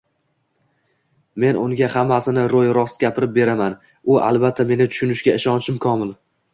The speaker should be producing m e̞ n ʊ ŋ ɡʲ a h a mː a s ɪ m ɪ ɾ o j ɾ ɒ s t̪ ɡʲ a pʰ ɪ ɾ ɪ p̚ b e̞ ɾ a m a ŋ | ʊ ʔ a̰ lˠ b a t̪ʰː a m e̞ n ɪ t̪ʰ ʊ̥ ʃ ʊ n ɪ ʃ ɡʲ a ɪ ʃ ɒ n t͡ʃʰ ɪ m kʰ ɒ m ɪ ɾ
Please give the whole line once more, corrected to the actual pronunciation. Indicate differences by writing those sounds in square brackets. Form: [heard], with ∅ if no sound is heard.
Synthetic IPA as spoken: m e̞ n ʊ ŋ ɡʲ a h a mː a s ɪ [n] ɪ ɾ o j ɾ ɒ s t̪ ɡʲ a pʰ ɪ ɾ ɪ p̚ b e̞ ɾ a m a [n] | ʊ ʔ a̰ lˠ b a t̪ʰː a m e̞ n ɪ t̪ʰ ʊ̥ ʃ ʊ n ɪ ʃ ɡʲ a ɪ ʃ ɒ n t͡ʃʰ ɪ m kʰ ɒ m ɪ [l]